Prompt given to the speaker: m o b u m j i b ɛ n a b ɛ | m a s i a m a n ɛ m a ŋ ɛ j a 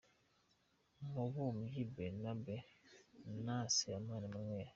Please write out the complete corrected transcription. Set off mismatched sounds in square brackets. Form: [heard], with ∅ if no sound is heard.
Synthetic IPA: m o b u m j i b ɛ n a b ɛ | [n] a s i a m a n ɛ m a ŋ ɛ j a